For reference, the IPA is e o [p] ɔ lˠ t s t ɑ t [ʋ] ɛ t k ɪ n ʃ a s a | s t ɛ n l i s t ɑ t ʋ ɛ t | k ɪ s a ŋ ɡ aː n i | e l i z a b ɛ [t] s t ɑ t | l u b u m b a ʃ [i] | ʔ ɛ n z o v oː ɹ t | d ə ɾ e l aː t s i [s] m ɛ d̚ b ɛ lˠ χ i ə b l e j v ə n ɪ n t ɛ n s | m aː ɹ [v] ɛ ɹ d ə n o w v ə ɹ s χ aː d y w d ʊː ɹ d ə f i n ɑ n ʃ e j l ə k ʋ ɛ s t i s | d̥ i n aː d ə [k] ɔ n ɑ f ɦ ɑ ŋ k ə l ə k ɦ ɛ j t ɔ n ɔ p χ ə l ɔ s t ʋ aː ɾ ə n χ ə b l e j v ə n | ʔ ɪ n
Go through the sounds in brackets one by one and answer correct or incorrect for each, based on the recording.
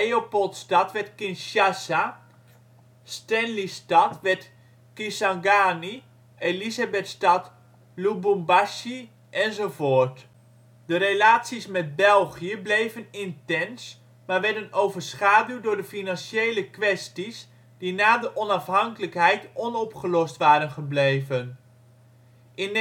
correct, correct, correct, correct, correct, incorrect: ʋ, incorrect: ʔ

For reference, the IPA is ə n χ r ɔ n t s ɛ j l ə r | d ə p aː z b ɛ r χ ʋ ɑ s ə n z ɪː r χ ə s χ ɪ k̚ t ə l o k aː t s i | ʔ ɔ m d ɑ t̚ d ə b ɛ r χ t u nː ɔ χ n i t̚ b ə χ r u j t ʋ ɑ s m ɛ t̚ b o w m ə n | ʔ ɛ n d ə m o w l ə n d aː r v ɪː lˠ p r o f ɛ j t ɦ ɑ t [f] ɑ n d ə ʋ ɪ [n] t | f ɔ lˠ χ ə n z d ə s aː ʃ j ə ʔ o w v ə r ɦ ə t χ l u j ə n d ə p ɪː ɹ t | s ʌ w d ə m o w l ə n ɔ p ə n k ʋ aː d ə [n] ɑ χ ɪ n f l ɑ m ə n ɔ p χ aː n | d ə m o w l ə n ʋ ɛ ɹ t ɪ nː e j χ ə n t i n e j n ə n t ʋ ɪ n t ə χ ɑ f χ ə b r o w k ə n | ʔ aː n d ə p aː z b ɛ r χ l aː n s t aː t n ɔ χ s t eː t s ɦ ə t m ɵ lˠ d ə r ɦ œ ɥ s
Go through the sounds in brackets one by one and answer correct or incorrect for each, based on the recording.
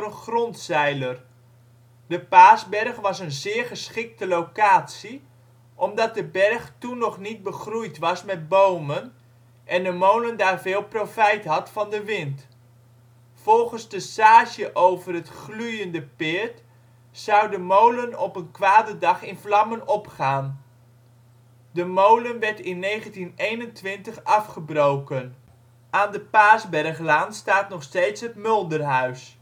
correct, correct, incorrect: d

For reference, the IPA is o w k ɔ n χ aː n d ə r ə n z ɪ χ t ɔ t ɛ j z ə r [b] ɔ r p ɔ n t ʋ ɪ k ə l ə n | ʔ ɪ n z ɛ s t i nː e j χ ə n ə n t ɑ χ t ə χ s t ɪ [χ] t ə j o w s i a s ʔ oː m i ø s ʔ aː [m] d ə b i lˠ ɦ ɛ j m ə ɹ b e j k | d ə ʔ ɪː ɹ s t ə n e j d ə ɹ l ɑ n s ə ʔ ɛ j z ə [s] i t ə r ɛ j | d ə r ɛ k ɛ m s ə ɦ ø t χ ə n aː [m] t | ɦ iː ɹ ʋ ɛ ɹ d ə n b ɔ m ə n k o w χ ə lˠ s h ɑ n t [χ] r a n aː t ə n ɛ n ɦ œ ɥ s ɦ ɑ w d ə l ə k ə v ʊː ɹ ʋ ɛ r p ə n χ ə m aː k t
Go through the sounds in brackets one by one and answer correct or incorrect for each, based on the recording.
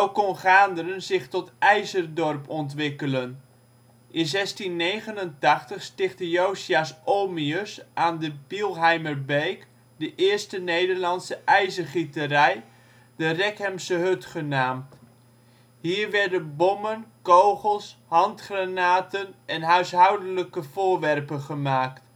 incorrect: d, correct, incorrect: n, incorrect: χ, correct, correct

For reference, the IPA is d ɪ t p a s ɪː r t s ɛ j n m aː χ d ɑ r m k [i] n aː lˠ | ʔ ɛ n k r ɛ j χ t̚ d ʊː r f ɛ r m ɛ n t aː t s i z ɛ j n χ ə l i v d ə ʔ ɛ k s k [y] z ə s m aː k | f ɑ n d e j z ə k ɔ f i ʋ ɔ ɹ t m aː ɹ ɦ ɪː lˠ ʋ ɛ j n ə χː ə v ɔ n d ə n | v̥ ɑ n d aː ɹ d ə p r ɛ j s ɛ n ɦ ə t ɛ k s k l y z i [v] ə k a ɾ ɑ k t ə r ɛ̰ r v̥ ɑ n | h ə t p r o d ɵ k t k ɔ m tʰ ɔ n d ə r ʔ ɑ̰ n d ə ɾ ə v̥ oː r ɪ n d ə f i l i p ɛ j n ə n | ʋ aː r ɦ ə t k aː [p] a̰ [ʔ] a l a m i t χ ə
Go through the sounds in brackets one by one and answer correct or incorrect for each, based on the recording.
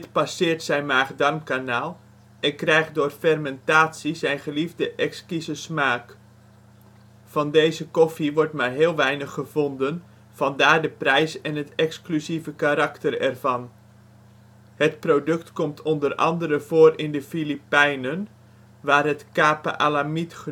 incorrect: a, incorrect: i, correct, correct, correct

